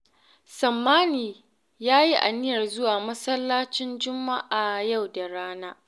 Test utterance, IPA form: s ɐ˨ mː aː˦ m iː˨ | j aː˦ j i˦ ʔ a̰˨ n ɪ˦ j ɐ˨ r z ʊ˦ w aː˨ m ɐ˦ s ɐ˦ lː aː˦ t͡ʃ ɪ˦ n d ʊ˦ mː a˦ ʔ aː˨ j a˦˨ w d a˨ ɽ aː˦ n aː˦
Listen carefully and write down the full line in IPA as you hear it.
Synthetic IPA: s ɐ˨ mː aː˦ n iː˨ | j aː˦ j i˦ ʔ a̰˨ n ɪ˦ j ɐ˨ r z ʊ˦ w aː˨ m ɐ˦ s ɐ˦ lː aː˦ t͡ʃ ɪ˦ n d͡ʒ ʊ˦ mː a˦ ʔ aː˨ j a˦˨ w d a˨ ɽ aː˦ n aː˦